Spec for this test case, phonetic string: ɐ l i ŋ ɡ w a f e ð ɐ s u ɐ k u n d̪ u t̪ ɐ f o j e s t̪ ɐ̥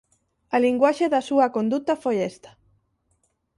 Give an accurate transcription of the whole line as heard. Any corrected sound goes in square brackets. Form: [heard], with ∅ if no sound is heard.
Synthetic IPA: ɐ l i ŋ ɡ w a [ʃ] e ð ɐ s u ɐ k [o] n d̪ u t̪ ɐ f o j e s t̪ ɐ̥